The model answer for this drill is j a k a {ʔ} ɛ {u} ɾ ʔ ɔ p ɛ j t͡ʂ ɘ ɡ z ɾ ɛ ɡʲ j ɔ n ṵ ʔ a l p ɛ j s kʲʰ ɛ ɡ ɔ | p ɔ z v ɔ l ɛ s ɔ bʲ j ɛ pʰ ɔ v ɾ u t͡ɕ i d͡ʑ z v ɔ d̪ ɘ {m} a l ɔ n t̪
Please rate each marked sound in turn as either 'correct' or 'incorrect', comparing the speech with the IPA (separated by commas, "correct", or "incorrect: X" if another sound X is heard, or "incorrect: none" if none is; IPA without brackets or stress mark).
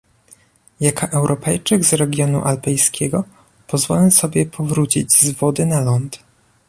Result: correct, incorrect: w, incorrect: n